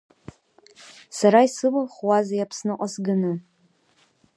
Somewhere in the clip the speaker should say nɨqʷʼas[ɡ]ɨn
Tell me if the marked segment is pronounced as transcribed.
yes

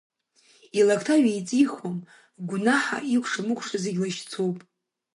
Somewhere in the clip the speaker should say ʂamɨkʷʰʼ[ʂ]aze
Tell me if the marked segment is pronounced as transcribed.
yes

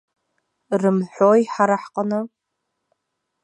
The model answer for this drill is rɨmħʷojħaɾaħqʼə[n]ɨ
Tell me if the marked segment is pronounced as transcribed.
yes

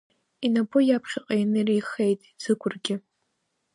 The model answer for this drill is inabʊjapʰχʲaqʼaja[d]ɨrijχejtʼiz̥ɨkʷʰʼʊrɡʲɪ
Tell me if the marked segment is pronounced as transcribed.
no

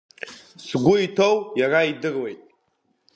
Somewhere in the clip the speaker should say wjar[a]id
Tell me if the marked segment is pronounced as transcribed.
yes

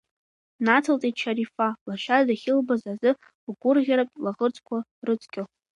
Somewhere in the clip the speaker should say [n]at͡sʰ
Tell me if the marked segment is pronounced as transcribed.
yes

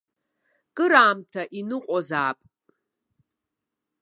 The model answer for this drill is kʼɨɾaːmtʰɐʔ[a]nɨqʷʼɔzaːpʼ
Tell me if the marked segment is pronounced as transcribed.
no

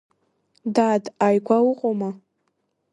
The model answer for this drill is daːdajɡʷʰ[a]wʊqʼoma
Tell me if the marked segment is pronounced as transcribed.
yes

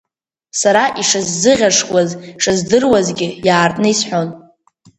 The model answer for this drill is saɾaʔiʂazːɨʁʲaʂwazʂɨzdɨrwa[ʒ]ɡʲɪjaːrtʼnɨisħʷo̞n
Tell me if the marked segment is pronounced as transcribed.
no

